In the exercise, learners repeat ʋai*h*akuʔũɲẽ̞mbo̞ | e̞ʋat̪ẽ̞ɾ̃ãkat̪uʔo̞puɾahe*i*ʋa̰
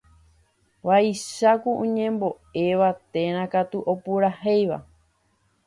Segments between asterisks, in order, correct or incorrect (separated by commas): incorrect, incorrect